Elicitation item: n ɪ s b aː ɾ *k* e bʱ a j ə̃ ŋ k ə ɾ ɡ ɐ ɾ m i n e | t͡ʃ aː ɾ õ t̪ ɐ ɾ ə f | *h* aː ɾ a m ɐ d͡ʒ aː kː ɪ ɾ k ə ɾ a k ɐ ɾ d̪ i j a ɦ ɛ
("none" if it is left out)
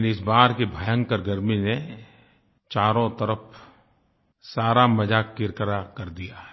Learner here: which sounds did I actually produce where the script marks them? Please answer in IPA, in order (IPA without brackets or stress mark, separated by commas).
k, s